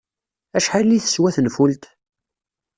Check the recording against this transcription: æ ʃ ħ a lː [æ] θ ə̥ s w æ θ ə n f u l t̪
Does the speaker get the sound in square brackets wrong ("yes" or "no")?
yes